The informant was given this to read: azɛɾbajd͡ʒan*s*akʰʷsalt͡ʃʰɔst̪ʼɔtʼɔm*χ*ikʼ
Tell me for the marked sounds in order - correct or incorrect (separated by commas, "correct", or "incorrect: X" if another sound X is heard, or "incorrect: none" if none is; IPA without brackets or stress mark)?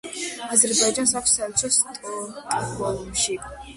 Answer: correct, incorrect: ʃ